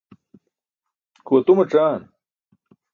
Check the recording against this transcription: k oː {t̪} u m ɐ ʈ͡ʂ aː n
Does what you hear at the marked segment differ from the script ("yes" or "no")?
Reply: no